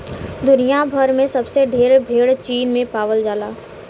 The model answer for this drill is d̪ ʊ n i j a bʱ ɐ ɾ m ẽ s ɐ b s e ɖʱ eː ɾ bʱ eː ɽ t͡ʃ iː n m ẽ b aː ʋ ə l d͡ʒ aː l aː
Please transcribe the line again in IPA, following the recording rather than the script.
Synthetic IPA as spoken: d̪ ʊ n i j a bʱ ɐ ɾ m ẽ s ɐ b s e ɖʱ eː ɾ bʱ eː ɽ t͡ʃ iː n m ẽ p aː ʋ ə l d͡ʒ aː l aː